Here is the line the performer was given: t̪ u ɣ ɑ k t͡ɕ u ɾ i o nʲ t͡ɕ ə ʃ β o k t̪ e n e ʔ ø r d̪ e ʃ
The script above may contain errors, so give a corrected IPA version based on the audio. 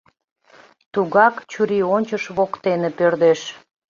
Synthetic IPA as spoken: t̪ u ɣ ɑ k t͡ɕ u ɾ i o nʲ t͡ɕ ə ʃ β o k t̪ e n e p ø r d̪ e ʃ